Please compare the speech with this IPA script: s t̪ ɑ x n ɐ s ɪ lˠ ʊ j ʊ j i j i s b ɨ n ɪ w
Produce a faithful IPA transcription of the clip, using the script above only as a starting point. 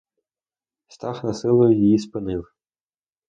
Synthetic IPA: s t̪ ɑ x n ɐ s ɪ lˠ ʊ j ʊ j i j i s p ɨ n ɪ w